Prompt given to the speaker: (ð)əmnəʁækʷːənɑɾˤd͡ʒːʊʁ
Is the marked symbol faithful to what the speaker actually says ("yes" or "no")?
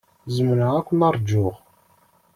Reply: no